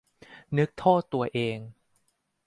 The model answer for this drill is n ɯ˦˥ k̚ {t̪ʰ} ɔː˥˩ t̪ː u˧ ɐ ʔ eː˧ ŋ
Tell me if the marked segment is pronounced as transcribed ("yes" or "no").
yes